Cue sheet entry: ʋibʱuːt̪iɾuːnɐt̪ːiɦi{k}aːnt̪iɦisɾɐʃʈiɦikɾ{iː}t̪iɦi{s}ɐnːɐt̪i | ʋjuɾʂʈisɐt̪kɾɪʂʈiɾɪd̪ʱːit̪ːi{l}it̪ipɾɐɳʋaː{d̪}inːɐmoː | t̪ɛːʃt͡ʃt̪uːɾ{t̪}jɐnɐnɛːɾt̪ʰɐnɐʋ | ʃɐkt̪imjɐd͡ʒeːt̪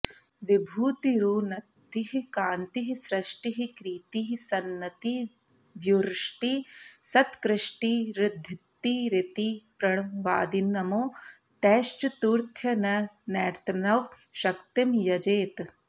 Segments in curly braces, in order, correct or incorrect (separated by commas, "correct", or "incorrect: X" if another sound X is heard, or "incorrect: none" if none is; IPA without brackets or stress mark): correct, correct, correct, incorrect: ɾ, correct, incorrect: t̪ʰ